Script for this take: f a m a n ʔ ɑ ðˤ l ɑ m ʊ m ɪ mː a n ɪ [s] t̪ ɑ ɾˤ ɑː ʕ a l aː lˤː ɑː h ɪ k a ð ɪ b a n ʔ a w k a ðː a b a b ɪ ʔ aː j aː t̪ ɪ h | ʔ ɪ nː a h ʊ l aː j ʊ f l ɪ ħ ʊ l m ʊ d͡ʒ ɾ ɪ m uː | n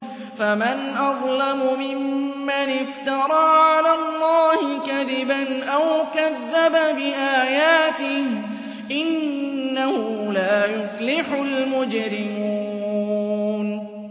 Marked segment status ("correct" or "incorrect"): incorrect